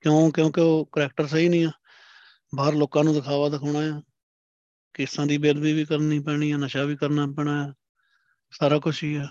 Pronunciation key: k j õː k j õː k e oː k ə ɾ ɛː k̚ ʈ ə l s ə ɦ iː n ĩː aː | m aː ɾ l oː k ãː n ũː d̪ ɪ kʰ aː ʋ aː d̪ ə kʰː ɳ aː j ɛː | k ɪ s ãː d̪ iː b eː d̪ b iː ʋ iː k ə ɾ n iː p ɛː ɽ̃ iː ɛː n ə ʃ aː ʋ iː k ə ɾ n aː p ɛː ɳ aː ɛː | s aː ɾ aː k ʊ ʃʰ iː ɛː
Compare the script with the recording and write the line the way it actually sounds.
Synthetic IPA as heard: k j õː k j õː k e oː k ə ɾ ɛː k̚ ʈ ə ɾ s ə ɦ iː n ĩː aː | b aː ɾ l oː k ãː n ũː d̪ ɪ kʰ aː ʋ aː d̪ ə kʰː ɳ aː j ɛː | k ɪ s ãː d̪ iː b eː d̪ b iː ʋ iː k ə ɾ n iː p ɛː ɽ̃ iː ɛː n ə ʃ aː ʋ iː k ə ɾ n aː p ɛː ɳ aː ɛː | s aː ɾ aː k ʊ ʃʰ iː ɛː